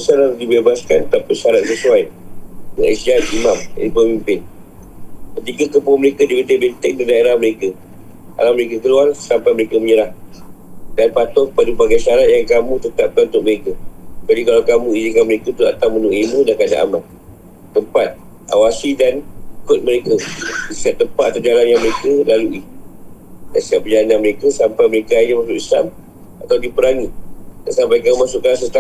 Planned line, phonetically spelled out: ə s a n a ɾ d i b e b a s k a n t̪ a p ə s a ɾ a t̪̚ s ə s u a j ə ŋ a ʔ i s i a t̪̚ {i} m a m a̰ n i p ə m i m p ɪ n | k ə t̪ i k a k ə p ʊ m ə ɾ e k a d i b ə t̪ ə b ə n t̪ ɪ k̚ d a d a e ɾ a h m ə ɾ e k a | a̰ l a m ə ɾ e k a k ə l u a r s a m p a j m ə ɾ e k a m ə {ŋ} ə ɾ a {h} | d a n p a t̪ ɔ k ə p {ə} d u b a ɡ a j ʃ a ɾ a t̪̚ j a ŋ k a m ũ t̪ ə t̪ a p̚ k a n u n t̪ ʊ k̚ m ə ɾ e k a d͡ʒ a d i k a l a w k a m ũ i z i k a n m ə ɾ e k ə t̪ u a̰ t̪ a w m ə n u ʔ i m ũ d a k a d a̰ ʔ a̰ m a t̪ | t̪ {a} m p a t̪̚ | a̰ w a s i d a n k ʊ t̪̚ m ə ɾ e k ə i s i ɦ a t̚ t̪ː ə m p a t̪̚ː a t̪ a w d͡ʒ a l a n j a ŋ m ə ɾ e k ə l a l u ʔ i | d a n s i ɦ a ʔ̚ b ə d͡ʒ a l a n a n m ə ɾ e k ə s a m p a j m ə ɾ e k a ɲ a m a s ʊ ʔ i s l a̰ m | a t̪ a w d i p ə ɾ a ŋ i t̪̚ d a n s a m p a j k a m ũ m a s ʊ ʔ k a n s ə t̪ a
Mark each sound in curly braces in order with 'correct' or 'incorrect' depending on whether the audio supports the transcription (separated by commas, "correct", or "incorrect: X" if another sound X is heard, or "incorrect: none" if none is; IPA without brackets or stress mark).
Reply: correct, incorrect: ɲ, correct, incorrect: a, incorrect: ə